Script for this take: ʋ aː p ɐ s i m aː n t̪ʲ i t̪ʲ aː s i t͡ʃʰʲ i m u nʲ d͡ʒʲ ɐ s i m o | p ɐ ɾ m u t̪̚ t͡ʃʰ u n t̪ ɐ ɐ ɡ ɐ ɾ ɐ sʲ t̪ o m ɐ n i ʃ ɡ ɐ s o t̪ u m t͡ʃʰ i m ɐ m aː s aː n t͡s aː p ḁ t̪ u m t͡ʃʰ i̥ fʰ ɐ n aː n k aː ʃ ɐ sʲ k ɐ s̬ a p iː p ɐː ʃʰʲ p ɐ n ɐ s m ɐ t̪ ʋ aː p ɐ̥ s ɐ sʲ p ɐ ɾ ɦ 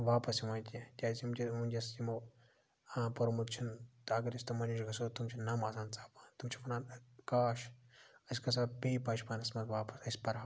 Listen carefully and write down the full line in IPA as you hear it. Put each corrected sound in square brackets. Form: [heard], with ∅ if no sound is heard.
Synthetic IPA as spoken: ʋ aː p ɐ s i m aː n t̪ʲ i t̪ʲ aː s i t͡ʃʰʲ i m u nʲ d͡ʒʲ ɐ s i m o | p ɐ ɾ m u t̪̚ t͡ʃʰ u n t̪ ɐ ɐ ɡ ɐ ɾ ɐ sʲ t̪ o m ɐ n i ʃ ɡ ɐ s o t̪ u m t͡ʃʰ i [n] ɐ m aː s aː n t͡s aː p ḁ t̪ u m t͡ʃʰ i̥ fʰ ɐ n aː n k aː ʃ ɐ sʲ k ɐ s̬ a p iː p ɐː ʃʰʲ p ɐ n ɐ s m ɐ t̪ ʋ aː p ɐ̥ s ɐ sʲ p ɐ ɾ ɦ